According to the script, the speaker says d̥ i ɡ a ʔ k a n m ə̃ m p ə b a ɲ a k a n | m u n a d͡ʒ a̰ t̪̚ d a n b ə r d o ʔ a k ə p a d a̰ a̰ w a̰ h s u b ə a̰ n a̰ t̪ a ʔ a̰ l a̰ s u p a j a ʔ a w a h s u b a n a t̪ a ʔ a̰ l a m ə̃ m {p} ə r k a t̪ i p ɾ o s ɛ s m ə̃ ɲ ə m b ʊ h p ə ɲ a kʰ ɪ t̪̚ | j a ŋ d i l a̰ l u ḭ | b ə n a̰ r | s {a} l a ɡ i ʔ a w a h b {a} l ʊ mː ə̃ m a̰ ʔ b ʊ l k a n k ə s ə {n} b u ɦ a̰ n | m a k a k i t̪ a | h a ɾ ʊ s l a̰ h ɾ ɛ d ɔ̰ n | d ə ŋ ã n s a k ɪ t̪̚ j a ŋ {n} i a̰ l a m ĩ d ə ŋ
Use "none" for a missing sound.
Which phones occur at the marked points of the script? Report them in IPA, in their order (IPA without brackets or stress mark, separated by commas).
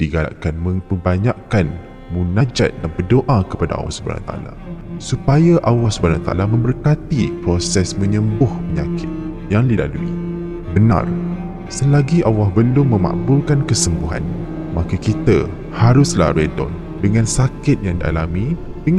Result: b, ə, ə, m, d